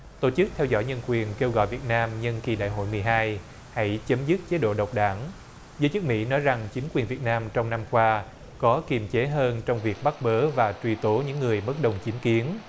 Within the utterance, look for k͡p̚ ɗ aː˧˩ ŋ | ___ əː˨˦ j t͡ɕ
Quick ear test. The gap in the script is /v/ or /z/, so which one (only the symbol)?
z